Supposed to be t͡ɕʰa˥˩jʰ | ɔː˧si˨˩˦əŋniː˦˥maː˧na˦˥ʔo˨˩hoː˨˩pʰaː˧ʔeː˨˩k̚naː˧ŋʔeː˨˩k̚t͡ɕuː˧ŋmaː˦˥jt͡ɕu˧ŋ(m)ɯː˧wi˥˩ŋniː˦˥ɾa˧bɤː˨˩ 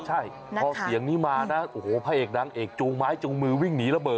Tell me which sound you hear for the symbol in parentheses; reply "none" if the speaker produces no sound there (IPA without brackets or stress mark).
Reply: m